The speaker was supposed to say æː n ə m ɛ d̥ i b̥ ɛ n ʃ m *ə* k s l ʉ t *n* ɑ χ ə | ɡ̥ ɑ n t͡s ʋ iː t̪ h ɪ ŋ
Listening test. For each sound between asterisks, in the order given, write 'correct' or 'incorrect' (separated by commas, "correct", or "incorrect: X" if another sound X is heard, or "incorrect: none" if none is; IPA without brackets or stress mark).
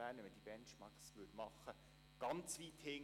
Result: incorrect: ɑ, incorrect: m